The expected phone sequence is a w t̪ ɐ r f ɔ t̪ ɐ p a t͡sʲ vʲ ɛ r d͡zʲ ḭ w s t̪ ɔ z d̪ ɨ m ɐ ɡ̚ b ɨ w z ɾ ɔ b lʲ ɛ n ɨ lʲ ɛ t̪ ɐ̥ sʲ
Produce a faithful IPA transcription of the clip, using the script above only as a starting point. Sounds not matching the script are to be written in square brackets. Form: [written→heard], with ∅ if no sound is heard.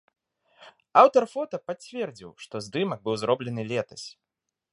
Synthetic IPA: a w t̪ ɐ r f ɔ t̪ ɐ p a t͡sʲ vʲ ɛ r d͡zʲ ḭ w [s→ʂ] t̪ ɔ z d̪ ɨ m ɐ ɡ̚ b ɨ w z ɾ ɔ b lʲ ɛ n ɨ lʲ ɛ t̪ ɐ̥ sʲ